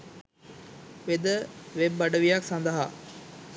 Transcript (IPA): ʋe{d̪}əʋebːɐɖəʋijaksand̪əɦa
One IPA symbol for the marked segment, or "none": d̪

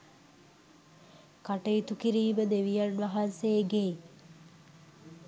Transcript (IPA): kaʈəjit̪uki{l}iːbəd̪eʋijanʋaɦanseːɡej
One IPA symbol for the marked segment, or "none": ɾ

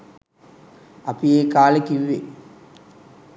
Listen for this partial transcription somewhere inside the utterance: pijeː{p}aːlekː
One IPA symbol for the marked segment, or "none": k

